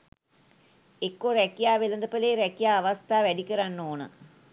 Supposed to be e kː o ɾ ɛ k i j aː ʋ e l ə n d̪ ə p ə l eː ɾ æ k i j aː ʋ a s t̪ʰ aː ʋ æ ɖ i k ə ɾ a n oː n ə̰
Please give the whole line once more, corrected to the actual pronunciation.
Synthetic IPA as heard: e kː o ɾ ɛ k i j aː ʋ e l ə n d̪ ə p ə l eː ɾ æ k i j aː ʋ a s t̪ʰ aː ʋ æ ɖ i k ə ɾ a nː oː n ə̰